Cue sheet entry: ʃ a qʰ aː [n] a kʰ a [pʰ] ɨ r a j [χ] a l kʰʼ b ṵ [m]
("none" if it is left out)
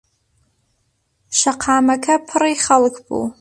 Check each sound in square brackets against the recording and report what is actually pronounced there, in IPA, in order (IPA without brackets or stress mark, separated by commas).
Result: m, pʰ, χ, none